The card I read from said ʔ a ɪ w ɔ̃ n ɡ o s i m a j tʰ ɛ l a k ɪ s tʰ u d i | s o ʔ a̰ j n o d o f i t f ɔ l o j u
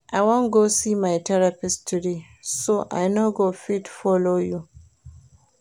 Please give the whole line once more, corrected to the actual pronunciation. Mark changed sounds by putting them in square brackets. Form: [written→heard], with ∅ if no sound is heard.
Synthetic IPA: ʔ a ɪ w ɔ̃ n ɡ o s i m a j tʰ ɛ [l→ɹ] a [k→p] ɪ s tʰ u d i | s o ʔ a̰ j n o [d→ɡ] o f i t f ɔ l o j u